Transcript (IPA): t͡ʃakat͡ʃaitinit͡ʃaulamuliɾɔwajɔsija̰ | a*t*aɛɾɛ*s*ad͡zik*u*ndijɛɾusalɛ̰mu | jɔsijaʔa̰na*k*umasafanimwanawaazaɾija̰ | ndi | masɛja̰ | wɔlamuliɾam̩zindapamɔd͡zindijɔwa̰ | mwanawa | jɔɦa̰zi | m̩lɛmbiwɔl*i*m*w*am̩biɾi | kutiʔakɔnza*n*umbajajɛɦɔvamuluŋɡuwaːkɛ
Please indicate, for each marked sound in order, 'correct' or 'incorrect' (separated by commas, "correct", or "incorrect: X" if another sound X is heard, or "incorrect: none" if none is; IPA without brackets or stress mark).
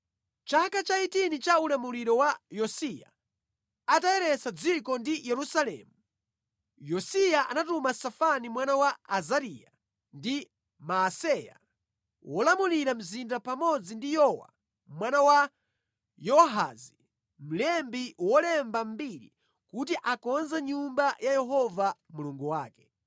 correct, correct, incorrect: ɔ, incorrect: t, incorrect: ɛ, incorrect: b, incorrect: ɲ